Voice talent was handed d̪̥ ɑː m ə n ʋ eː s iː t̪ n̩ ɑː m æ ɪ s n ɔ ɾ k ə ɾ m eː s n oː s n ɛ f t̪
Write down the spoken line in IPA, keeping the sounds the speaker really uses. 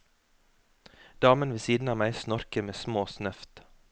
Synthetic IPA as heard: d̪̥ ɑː m ə n ʋ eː s iː d̪ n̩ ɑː m æ ɪ s n ɔ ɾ k ə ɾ m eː s m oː s n œ f t̪